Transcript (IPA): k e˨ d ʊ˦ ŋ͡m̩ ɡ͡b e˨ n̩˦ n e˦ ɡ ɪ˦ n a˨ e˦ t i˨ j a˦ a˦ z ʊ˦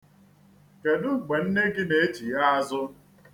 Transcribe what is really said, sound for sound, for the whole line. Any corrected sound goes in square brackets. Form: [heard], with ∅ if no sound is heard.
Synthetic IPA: k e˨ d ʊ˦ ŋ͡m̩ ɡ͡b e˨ n̩˦ n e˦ ɡ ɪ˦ n [e˨] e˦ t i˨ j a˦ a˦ z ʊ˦